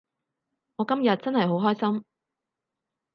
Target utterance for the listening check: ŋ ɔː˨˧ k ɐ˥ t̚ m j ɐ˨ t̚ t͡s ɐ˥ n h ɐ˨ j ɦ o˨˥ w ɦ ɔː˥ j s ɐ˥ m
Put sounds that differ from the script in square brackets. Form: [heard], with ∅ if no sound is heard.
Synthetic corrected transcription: ŋ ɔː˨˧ k ɐ˥ [∅] m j ɐ˨ t̚ t͡s ɐ˥ n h ɐ˨ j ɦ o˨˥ w ɦ ɔː˥ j s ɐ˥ m